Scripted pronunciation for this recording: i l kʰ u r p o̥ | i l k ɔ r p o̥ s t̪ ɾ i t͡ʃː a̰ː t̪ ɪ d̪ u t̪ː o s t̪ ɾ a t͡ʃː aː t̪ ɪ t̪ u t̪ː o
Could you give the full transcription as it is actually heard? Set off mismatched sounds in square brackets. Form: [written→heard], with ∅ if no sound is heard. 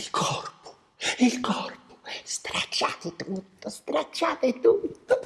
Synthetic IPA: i l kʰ [u→ɔ] r p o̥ | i l k ɔ r p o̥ s t̪ ɾ [i→a] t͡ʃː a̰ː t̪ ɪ [d̪→t̪] u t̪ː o s t̪ ɾ a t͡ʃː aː t̪ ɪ t̪ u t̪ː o

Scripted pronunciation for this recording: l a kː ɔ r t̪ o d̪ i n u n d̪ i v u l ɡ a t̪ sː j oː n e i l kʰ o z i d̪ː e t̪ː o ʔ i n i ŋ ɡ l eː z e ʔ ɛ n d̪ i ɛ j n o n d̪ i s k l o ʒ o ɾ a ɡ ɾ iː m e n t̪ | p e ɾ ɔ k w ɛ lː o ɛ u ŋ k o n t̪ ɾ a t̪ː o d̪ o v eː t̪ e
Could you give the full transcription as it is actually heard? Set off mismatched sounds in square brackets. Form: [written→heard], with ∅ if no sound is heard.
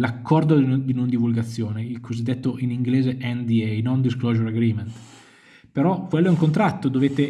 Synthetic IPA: l a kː ɔ r [t̪→d̪] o d̪ i n [u→o] n d̪ i v u l ɡ a t̪ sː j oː n e i l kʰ o z i d̪ː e t̪ː o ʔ i n i ŋ ɡ l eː z e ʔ ɛ n d̪ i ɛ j n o n d̪ i s k l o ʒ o ɾ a ɡ ɾ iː m e n t̪ | p e ɾ ɔ k w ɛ lː o ɛ u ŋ k o n t̪ ɾ a t̪ː o d̪ o v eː t̪ e

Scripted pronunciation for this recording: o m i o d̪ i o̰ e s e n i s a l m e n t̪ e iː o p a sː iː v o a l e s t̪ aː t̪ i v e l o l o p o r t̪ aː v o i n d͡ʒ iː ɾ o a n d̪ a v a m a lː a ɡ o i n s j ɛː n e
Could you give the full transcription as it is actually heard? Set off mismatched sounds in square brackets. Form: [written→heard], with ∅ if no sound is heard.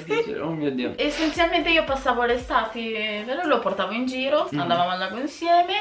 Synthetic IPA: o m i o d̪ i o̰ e s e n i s a l m e n t̪ e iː o p a sː [iː→aː] v o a l e s t̪ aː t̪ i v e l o l o p o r t̪ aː v o i n d͡ʒ iː ɾ o a n d̪ a v a m a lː a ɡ o i n s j ɛː [n→m] e

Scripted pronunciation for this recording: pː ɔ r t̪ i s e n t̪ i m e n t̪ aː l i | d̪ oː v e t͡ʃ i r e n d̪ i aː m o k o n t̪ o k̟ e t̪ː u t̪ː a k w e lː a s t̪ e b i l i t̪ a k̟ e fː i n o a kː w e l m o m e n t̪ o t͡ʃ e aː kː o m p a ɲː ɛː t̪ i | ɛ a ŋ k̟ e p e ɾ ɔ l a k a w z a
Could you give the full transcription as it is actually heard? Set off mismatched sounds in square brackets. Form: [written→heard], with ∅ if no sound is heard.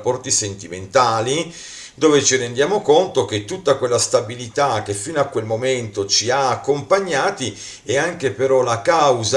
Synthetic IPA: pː ɔ r t̪ i s e n t̪ i m e n t̪ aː l i | d̪ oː v e t͡ʃ i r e n d̪ [i→j] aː m o k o n t̪ o k̟ e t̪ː u t̪ː a k w e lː a s t̪ [e→a] b i l i t̪ a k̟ e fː i n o a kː w e l m o m e n t̪ o t͡ʃ [e→i] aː kː o m p a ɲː [ɛː→aː] t̪ i | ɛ a ŋ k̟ e p e ɾ ɔ l a k a w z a

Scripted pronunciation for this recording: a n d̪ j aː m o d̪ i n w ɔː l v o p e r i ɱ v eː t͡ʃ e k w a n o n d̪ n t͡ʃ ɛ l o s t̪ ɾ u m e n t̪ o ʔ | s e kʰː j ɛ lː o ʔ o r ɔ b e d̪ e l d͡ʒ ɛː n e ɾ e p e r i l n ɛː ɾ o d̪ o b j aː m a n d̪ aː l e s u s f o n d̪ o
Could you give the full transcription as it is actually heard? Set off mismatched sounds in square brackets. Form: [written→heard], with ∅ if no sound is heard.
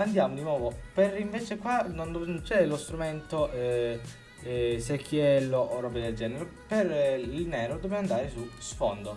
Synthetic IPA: a n d̪ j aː m o d̪ i n w ɔː [l→∅] v o p e r i ɱ v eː t͡ʃ e k w a n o n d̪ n t͡ʃ ɛ l o s t̪ ɾ u m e n t̪ o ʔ | s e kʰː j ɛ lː o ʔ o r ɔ b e d̪ e l d͡ʒ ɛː n e ɾ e p e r i l n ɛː ɾ o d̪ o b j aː m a n d̪ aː [l→ɾ] e s u s f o n d̪ o

